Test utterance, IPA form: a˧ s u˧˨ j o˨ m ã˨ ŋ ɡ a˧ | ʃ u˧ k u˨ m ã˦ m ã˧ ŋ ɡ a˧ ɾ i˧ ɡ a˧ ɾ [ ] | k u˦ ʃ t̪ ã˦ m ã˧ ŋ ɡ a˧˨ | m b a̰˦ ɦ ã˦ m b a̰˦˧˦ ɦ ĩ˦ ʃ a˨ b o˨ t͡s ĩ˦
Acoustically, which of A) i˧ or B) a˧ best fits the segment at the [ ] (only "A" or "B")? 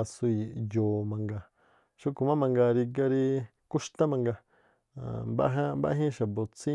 A